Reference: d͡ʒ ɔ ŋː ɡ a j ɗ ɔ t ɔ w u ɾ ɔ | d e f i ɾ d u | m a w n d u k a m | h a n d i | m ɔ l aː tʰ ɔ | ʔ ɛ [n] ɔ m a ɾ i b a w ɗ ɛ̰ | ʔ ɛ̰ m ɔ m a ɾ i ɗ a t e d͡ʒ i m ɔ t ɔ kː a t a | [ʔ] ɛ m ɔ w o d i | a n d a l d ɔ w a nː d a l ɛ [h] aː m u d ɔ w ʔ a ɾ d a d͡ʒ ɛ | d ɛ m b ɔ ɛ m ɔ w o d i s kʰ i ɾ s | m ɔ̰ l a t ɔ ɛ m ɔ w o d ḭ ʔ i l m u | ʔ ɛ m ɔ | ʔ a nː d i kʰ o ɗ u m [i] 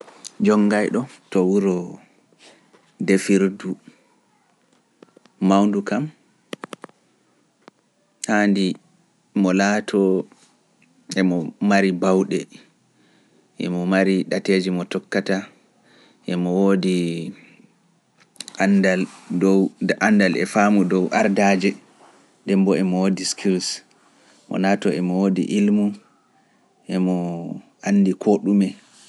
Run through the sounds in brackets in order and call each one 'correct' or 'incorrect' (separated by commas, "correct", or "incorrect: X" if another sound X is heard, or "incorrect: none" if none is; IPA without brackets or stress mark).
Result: incorrect: m, correct, incorrect: f, incorrect: ɛ